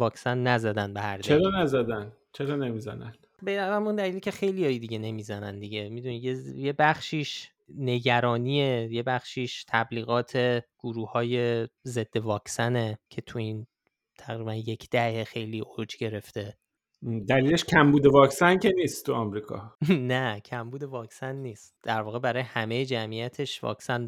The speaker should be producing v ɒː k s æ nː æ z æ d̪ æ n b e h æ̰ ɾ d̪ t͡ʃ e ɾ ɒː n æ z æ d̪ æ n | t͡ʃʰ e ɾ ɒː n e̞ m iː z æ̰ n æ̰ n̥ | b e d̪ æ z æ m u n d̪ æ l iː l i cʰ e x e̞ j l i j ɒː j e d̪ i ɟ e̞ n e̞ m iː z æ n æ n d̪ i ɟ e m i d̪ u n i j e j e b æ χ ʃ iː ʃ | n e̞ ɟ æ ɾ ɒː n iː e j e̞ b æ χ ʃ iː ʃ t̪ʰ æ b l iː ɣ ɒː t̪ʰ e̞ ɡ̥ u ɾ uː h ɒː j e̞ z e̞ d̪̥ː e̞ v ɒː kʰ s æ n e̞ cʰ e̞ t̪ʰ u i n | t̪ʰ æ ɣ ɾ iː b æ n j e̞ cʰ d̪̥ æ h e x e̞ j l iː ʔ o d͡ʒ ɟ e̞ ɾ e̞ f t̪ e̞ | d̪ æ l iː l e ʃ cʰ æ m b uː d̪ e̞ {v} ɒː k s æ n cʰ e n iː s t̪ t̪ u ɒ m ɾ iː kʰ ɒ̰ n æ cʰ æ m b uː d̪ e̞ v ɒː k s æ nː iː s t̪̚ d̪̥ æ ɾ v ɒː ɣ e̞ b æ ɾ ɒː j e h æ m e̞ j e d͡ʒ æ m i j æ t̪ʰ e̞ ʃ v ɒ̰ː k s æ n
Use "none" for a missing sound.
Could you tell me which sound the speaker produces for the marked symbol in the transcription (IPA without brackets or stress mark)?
v